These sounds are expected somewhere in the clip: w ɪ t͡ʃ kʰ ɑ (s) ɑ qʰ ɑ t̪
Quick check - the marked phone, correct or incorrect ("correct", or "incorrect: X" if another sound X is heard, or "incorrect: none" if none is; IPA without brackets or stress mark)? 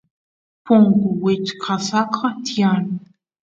correct